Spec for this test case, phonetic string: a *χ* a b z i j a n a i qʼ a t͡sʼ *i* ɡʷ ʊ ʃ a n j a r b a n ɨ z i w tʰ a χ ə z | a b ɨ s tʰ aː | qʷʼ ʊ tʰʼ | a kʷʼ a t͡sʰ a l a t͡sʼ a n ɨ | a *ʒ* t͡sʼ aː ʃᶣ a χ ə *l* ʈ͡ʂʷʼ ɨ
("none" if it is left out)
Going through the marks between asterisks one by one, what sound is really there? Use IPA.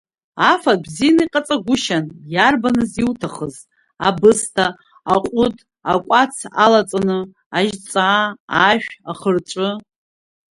f, a, ʒ, r

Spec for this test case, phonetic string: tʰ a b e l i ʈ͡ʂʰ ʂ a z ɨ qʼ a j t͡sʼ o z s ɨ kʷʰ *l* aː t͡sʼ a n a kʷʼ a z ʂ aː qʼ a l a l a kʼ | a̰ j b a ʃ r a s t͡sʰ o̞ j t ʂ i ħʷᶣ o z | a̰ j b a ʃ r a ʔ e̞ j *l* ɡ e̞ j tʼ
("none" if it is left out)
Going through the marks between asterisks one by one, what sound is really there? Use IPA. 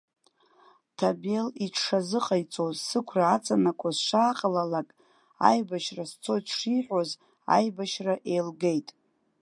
r, l

